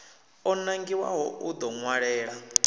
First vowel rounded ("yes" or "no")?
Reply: yes